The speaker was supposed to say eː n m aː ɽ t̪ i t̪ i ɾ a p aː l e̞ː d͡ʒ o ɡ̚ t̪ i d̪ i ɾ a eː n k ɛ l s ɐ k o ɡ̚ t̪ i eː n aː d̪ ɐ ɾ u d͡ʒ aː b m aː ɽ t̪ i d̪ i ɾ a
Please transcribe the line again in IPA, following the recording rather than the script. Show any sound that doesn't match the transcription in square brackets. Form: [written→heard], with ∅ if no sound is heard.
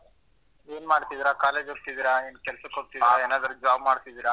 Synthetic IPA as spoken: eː n m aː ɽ t̪ i [t̪→d̪] i ɾ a [p→k] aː l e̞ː d͡ʒ o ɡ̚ t̪ i d̪ i ɾ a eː n k ɛ l s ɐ k o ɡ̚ t̪ i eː n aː d̪ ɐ ɾ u d͡ʒ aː b m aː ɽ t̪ i d̪ i ɾ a